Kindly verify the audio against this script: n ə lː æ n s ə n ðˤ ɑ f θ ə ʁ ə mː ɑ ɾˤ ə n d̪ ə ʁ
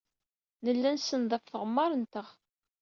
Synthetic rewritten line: n ə lː æ n s ə n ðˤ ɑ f θ ə ʁ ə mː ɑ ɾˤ ə n t̪ ə ʁ